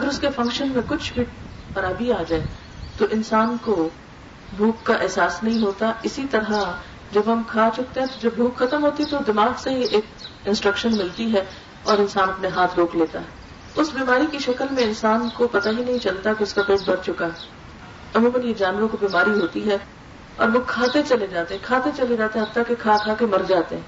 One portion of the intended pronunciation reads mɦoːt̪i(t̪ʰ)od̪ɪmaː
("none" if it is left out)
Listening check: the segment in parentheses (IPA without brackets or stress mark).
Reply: t̪